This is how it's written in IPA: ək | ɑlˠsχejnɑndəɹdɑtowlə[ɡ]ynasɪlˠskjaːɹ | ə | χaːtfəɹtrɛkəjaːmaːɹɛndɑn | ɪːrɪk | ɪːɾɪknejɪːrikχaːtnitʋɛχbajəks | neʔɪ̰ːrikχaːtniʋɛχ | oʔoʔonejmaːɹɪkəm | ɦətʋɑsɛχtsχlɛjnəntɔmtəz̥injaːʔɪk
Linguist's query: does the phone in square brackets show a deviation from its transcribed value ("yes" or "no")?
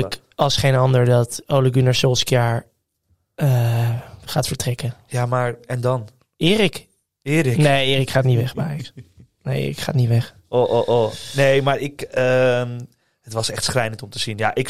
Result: no